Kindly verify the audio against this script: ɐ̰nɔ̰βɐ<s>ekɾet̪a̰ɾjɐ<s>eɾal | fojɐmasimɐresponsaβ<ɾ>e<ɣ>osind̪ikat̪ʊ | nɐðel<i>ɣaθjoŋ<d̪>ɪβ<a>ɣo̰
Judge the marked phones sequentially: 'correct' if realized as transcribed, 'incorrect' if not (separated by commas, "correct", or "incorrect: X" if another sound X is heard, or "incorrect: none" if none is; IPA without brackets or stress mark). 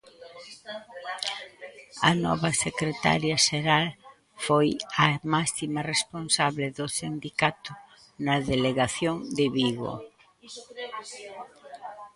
correct, incorrect: ʃ, incorrect: l, incorrect: ð, incorrect: e, correct, incorrect: i